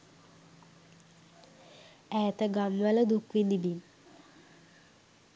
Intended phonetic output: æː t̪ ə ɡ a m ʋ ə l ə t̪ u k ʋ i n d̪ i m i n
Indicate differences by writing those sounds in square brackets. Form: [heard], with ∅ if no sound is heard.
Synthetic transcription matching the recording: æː t̪ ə ɡ a m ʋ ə l ə [d̪] u k ʋ i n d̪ i [b] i n